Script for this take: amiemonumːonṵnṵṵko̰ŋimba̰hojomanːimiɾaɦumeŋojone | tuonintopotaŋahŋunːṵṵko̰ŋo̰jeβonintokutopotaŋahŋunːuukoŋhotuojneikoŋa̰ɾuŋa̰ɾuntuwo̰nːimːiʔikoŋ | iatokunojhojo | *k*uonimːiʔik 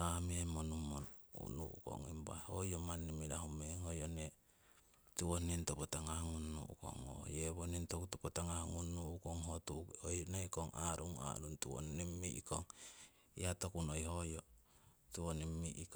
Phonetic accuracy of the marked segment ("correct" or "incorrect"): incorrect